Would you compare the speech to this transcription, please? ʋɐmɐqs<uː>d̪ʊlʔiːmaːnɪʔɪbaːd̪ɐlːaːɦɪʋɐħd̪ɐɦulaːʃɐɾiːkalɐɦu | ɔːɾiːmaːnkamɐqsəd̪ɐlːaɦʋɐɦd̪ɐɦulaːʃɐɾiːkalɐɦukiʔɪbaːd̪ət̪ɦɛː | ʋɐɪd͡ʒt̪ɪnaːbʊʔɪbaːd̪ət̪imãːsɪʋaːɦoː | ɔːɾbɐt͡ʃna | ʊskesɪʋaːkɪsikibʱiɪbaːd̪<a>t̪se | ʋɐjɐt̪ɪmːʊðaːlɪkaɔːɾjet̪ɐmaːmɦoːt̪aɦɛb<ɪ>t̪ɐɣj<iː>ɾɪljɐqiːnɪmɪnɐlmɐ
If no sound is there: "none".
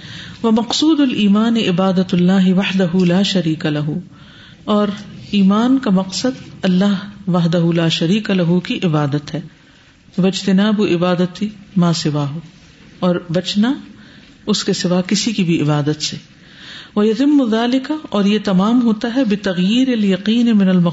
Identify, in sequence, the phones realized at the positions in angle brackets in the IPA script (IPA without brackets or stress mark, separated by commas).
uː, ə, ɪ, iː